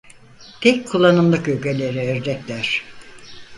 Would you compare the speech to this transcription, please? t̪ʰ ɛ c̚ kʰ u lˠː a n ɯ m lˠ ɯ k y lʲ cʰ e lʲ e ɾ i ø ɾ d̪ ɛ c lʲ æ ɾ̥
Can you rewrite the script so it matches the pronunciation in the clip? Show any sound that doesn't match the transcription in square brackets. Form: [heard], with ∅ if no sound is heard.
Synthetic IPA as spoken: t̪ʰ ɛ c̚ kʰ u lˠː a n ɯ m lˠ ɯ k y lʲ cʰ e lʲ e ɾ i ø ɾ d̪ ɛ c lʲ æ ɾ̥